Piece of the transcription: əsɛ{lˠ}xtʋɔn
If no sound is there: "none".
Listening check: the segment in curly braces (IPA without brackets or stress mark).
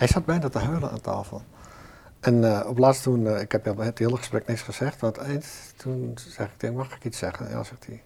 none